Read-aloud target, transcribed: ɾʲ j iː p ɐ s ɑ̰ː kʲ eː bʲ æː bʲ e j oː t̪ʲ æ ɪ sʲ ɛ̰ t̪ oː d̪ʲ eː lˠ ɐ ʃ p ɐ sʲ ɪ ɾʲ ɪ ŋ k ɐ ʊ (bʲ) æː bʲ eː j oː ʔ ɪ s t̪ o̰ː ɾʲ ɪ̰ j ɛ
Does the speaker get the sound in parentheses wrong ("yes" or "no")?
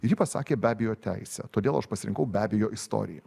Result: no